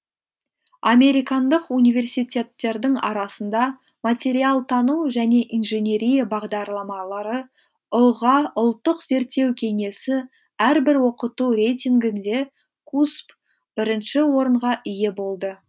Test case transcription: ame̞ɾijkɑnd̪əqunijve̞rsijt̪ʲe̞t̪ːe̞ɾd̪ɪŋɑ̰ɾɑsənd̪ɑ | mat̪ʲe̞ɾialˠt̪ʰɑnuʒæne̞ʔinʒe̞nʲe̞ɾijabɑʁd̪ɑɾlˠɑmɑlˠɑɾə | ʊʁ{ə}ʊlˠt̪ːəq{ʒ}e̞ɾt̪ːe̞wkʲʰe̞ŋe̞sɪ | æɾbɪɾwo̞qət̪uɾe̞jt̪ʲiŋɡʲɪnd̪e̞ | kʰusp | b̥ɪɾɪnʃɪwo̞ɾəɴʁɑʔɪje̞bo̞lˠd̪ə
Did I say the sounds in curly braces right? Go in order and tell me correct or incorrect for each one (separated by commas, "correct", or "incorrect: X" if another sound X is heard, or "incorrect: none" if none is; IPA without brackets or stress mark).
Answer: incorrect: ɑ, incorrect: z